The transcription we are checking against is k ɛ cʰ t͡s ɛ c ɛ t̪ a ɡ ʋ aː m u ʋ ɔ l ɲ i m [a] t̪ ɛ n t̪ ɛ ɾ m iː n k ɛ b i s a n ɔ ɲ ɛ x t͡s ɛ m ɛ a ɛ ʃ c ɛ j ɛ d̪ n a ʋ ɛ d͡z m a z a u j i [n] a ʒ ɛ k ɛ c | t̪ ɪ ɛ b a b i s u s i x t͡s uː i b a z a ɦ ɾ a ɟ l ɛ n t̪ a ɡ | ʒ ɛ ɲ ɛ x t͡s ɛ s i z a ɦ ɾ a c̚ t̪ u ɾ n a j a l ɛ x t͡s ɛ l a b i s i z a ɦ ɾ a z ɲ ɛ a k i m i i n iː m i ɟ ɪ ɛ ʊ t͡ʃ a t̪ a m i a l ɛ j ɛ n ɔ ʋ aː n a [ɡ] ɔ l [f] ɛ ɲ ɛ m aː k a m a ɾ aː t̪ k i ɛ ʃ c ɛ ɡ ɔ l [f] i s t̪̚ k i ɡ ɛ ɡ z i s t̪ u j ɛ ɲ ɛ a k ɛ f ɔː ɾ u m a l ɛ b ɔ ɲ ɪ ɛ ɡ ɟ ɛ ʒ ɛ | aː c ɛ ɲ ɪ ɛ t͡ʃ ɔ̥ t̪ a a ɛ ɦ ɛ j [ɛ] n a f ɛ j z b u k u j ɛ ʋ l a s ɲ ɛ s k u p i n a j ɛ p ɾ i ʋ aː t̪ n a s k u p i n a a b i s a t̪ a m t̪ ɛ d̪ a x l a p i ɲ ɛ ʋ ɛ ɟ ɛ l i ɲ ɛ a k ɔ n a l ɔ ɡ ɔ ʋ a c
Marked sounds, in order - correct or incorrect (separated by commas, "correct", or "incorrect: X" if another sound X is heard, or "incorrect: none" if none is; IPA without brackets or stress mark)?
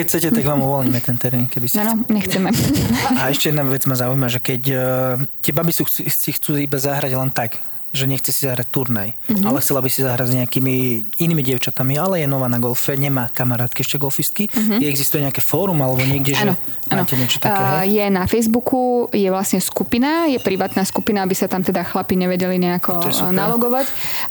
incorrect: ɛ, incorrect: m, correct, correct, correct, correct